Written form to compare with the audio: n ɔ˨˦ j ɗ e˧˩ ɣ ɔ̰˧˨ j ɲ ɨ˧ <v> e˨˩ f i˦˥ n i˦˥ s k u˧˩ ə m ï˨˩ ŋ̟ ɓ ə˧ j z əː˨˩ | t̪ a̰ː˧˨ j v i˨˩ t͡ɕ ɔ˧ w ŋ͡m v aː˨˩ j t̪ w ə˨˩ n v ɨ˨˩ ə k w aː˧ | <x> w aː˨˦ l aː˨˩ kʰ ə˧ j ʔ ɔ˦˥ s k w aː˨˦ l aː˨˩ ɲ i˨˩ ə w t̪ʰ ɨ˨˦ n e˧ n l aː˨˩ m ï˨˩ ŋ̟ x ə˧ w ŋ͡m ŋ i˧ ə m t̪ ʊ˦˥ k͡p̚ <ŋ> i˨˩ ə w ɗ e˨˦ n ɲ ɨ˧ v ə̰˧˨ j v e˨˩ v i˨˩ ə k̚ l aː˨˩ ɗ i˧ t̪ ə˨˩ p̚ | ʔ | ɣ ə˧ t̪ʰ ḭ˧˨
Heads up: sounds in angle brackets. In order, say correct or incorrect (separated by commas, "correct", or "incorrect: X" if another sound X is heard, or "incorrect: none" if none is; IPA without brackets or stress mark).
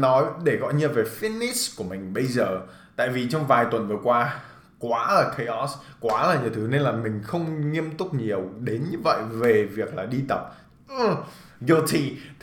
correct, incorrect: k, incorrect: ɲ